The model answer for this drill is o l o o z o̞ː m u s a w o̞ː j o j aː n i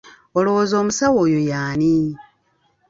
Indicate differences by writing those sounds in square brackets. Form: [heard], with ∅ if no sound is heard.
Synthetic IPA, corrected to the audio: o l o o z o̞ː m u s a w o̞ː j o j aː n i